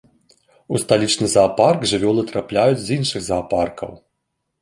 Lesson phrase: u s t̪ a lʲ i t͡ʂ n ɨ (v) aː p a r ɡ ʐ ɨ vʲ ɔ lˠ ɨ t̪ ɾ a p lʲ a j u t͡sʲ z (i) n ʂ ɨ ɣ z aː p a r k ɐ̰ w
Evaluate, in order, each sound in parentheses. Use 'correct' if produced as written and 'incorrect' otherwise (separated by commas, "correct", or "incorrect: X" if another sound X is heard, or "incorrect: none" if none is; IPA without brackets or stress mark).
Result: incorrect: z, correct